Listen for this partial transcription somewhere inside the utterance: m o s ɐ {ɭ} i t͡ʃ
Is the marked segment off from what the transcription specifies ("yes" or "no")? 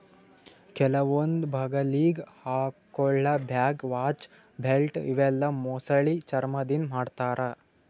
no